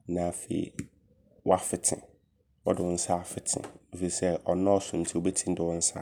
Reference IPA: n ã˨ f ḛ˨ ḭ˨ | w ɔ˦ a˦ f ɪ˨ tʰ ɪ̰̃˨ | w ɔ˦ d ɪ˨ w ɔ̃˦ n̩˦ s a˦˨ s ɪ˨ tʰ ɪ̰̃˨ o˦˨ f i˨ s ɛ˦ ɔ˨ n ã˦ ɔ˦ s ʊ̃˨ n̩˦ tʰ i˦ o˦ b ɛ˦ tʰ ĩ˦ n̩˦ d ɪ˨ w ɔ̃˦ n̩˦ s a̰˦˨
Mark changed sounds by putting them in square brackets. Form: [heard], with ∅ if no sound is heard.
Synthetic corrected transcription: n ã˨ f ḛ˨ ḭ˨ | w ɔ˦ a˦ f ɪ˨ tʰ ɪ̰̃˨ | w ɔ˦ d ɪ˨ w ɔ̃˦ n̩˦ s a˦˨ [f] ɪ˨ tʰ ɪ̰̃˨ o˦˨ f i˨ s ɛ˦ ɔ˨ n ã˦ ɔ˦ s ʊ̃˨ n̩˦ tʰ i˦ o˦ b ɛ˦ tʰ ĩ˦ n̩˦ d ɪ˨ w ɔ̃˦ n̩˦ s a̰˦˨